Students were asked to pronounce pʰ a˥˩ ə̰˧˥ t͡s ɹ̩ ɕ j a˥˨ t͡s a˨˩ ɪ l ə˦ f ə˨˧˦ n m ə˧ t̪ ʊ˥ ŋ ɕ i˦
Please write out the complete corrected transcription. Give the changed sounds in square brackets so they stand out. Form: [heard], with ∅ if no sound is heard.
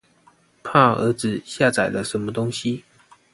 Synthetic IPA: pʰ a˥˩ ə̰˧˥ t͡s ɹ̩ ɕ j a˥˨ t͡s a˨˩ ɪ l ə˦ [ʂ] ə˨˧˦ n m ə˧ t̪ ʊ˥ ŋ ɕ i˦